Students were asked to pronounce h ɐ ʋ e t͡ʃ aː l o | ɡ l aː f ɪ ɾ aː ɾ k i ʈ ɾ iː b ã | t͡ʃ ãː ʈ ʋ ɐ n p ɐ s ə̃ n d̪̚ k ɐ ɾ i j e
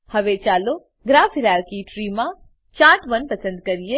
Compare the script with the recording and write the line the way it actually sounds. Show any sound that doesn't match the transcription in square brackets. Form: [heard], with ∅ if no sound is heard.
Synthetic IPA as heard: h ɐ ʋ e t͡ʃ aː l o | ɡ [ɾ] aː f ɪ ɾ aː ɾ k i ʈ ɾ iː [m] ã | t͡ʃ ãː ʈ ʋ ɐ n p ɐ s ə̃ n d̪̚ k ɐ ɾ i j e